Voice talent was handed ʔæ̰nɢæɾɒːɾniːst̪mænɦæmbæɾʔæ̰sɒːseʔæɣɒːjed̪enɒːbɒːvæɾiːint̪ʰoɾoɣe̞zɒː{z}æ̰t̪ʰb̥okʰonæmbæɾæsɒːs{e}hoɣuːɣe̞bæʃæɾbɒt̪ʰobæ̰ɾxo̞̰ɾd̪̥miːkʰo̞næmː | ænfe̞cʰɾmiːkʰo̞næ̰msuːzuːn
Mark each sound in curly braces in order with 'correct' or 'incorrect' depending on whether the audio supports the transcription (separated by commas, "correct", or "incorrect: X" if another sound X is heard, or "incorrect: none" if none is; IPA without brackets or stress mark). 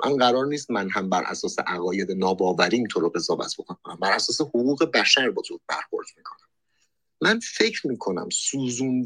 incorrect: v, correct